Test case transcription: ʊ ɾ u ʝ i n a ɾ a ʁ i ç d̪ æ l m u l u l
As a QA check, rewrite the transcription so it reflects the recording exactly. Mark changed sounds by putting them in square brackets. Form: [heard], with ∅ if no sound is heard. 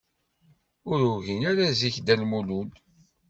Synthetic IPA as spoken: ʊ ɾ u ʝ i n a ɾ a [z] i ç d̪ æ l m u l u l